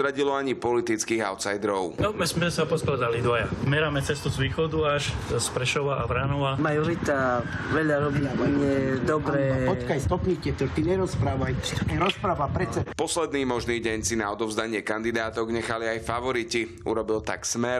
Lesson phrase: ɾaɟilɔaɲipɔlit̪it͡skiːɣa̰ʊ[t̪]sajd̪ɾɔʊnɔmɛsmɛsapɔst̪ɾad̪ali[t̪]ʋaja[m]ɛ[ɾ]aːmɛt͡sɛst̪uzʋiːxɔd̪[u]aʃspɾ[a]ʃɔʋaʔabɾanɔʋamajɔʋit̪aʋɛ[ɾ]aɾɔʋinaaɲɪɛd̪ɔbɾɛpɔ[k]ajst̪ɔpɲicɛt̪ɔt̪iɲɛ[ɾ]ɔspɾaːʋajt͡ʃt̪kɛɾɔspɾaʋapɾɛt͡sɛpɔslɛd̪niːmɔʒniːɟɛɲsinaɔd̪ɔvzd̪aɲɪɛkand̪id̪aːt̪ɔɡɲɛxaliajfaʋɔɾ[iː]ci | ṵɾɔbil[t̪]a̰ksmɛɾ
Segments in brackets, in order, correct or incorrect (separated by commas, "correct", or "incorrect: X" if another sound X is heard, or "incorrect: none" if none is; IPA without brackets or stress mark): correct, incorrect: d̪, correct, correct, correct, incorrect: ɛ, incorrect: ʎ, correct, correct, incorrect: i, correct